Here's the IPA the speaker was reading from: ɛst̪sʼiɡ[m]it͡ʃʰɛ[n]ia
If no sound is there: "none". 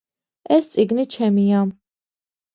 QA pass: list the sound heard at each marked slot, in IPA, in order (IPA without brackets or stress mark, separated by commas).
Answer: n, m